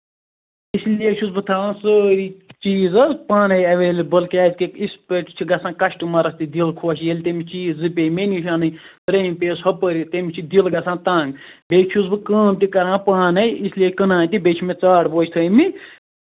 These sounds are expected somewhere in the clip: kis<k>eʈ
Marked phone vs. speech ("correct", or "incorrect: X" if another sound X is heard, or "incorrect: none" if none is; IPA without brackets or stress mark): incorrect: p